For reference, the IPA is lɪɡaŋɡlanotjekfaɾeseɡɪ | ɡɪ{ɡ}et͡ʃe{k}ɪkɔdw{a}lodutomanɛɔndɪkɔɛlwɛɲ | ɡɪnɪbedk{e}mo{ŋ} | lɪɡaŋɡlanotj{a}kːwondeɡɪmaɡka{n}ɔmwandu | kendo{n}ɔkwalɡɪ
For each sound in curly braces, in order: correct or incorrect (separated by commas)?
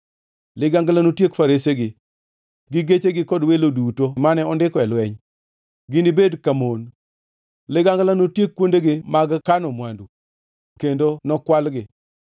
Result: correct, incorrect, incorrect, incorrect, incorrect, incorrect, correct, correct